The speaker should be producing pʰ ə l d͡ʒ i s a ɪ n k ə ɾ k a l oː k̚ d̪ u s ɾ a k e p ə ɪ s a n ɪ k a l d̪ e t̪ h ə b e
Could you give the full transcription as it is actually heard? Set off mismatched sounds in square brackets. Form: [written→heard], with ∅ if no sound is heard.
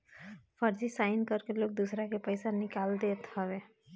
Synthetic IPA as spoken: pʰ ə [l→ɾ] d͡ʒ i s a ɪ n k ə ɾ k [a→e] l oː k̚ d̪ u s ɾ a k e p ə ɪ s a n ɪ k a l d̪ e t̪ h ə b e